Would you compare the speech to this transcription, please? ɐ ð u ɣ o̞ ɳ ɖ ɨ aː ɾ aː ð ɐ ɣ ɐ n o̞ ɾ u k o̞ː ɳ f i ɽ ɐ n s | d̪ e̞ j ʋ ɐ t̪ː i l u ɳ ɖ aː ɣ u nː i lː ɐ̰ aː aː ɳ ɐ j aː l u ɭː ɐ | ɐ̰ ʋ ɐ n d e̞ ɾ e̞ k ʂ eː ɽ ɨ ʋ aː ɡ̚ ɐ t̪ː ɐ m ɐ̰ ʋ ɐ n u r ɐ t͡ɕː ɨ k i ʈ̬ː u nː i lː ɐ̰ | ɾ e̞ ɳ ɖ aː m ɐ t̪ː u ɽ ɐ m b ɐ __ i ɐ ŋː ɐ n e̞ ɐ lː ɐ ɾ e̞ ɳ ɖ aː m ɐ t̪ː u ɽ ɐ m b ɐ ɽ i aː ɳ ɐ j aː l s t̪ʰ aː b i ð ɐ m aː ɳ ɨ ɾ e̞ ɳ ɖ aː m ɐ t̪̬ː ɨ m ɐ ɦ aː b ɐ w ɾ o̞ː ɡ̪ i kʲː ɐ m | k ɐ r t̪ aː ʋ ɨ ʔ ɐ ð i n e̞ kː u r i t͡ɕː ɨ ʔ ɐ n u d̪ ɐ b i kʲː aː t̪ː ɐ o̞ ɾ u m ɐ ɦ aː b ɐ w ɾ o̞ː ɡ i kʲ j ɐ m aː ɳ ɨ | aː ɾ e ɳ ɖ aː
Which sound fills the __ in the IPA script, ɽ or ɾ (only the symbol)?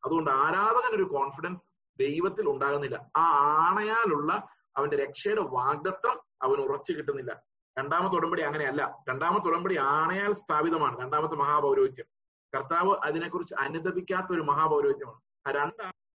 ɽ